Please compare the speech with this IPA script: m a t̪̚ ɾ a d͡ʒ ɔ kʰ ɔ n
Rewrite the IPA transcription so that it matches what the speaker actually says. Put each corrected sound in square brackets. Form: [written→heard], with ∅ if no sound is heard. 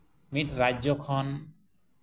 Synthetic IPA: m [a→i] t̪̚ ɾ a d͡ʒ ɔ kʰ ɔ n